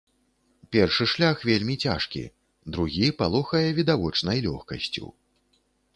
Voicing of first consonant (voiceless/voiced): voiceless